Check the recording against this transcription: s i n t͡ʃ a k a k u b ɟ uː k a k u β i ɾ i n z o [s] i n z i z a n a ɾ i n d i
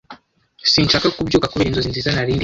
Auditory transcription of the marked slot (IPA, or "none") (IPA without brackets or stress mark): z